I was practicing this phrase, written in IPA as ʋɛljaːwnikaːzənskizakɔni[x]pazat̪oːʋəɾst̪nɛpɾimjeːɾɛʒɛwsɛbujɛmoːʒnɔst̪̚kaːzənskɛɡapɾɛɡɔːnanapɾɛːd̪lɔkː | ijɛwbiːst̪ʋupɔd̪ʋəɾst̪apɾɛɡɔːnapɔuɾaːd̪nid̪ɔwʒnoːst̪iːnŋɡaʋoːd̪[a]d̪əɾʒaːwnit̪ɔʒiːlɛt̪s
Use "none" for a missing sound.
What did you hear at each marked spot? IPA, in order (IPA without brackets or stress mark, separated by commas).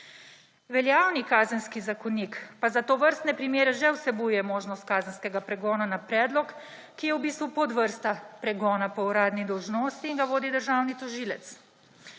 k, i